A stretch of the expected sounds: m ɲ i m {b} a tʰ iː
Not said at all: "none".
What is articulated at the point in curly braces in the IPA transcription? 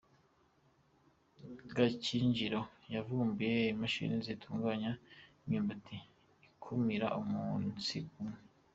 b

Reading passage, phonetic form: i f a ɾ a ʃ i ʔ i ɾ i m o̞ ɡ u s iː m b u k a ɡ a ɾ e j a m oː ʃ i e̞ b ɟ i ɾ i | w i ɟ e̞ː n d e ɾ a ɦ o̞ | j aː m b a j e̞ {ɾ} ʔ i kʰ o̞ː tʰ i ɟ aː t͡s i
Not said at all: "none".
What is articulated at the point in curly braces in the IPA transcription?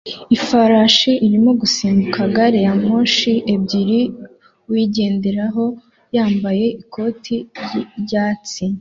none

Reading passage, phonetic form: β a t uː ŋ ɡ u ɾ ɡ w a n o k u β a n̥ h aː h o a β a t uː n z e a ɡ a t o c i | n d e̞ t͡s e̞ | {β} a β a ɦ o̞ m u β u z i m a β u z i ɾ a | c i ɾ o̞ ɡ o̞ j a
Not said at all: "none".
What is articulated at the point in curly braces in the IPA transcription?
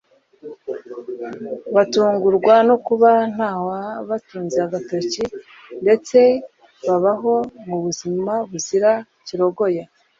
β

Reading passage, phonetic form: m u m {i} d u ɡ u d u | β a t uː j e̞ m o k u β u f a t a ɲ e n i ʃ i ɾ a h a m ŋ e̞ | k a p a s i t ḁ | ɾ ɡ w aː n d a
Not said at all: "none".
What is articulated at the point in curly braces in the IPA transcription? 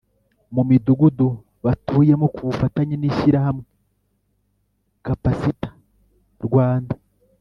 i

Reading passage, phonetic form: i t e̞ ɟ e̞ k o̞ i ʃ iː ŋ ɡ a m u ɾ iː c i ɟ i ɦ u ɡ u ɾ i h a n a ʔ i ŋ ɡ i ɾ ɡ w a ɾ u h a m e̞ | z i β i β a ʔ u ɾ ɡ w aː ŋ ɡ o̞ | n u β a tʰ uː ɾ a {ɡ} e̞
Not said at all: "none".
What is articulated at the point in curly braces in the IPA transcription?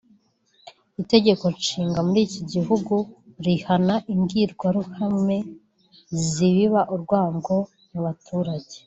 ɟ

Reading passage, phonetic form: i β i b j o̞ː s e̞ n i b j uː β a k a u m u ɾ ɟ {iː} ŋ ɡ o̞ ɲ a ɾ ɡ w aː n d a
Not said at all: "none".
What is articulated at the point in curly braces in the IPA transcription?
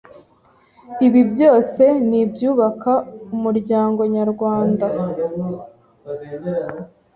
aː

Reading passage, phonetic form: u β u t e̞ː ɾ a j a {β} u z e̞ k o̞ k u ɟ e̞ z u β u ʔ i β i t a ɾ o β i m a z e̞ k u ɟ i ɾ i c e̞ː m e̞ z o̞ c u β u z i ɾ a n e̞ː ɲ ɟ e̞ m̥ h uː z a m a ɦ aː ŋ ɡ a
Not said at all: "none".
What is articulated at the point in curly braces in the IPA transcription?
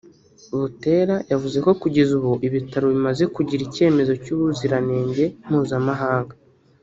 v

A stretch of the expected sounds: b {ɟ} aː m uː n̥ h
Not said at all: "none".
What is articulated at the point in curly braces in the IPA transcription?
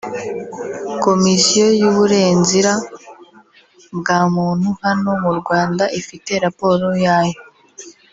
ɡ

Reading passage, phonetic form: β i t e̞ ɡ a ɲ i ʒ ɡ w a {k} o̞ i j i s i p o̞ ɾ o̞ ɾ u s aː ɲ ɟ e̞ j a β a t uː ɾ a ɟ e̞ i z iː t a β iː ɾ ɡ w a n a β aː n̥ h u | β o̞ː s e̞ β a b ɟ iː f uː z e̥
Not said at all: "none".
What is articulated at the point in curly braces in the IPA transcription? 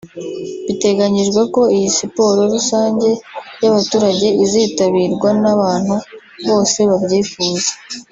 k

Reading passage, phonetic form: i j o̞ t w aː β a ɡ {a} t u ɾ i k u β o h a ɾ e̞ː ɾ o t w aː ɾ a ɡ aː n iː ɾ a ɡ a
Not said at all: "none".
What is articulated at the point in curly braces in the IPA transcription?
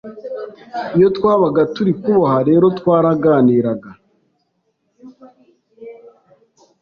a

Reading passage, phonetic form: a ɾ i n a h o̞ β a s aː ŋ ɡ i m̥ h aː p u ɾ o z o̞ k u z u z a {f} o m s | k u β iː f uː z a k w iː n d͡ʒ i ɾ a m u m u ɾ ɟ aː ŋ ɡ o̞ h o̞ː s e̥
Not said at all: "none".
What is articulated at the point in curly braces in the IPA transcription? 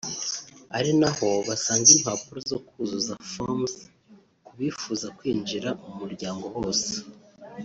f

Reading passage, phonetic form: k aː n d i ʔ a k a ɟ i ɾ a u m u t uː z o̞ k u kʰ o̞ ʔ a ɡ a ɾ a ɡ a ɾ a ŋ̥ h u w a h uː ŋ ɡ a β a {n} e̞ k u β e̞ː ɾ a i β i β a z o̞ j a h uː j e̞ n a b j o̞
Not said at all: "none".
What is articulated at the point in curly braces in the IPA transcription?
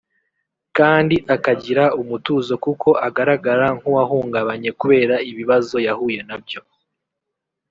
ɲ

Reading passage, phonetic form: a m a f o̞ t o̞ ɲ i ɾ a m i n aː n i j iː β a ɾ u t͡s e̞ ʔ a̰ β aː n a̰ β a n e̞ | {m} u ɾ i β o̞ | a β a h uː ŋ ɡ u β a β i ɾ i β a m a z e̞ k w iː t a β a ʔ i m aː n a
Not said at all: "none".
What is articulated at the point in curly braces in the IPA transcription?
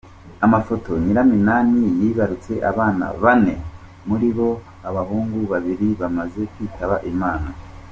m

